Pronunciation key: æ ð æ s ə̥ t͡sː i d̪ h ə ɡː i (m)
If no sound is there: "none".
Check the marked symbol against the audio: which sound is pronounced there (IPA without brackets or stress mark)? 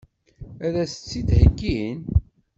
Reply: n